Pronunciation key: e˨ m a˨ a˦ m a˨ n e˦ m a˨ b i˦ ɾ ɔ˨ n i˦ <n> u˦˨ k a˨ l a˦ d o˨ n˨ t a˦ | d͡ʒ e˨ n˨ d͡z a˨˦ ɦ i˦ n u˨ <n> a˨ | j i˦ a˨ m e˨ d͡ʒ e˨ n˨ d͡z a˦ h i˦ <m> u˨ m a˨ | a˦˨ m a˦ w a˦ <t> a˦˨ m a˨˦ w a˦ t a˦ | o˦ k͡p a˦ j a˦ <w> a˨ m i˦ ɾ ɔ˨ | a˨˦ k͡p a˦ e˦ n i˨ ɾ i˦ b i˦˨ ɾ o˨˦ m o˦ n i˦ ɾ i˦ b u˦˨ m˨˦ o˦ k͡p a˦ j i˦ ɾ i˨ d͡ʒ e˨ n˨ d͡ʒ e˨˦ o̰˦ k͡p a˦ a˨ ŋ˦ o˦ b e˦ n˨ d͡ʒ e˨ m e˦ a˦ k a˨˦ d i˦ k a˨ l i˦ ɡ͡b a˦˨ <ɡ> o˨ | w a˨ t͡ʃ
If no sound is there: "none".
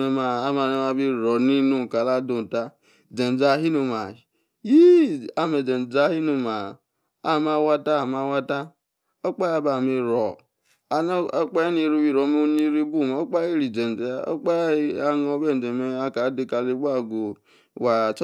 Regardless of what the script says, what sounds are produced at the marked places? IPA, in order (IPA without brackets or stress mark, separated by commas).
n, m, n, t, b, ɡ